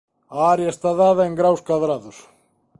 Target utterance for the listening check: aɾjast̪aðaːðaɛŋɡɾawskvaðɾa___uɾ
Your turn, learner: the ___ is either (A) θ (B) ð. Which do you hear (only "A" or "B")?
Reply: B